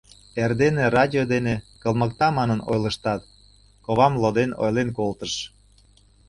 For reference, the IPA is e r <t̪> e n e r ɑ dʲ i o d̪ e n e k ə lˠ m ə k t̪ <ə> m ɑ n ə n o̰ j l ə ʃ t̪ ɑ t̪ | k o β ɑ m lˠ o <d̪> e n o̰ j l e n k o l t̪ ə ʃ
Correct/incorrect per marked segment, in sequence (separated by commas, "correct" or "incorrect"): incorrect, incorrect, correct